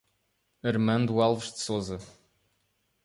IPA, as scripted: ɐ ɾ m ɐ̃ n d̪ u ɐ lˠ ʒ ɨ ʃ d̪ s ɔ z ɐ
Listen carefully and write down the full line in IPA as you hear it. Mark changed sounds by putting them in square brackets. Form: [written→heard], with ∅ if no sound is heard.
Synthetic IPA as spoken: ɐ ɾ m ɐ̃ n d̪ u [ɐ→a] lˠ [ʒ→v] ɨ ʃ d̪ s [ɔ→o] z ɐ